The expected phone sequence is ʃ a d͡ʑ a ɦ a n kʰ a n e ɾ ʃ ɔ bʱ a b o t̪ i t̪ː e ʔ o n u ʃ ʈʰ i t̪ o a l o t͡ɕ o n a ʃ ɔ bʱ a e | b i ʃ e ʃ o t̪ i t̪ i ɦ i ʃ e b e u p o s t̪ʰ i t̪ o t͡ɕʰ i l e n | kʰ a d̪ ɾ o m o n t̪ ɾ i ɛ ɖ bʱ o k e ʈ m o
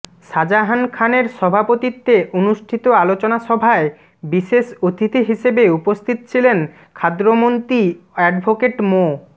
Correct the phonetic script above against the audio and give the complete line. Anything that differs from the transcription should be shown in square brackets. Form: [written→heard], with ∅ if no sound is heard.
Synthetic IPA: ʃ a d͡ʑ a ɦ a n kʰ a n e ɾ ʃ ɔ bʱ a [b→p] o t̪ i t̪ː e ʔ o n u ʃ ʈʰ i t̪ o a l o t͡ɕ o n a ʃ ɔ bʱ a e | b i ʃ e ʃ o t̪ i t̪ i ɦ i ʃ e b e u p o s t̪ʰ i t̪ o t͡ɕʰ i l e n | kʰ a d̪ ɾ o m o n t̪ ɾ i ɛ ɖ bʱ o k e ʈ m o